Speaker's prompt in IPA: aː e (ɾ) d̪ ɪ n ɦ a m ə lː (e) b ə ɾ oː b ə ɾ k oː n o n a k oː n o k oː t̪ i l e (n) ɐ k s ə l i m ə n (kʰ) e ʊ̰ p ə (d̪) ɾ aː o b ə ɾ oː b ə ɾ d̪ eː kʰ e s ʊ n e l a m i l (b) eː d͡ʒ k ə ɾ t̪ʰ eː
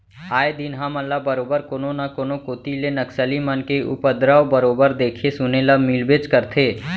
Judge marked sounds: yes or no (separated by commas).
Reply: no, no, yes, no, yes, yes